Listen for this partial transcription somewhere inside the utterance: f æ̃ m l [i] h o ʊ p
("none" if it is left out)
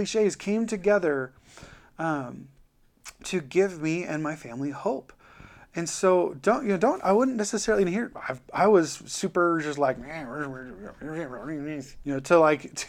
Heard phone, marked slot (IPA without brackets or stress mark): i